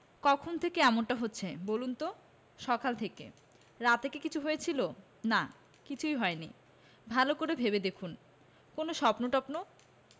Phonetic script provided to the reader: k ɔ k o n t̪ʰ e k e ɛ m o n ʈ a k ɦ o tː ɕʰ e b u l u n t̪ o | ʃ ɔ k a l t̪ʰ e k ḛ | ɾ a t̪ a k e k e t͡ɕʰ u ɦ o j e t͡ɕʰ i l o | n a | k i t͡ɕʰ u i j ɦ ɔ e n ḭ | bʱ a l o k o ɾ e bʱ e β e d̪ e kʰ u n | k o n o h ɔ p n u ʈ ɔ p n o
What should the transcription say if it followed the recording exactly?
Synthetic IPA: k ɔ kʰ o n t̪ʰ e k e ɛ m o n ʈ a ɦ o tː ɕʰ e b o l u n t̪ o | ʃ ɔ k a l t̪ʰ e k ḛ | ɾ a t̪ e k e k i t͡ɕʰ u ɦ o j e t͡ɕʰ i l o | n a | k i t͡ɕʰ u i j ɦ ɔ e n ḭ | bʱ a l o k o ɾ e bʱ e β e d̪ e kʰ u n | k o n o ʃ ɔ p n o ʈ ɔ p n o